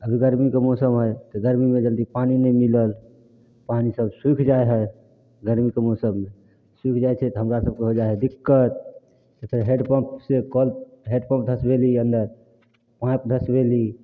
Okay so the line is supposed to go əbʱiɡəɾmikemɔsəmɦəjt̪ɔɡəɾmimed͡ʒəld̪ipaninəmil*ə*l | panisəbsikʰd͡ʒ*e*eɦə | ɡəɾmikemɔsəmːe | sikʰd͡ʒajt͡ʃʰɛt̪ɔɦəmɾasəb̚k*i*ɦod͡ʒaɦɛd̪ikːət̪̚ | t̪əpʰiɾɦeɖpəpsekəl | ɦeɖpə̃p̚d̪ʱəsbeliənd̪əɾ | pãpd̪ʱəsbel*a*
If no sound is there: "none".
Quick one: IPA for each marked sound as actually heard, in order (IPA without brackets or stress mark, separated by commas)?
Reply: ə, a, e, i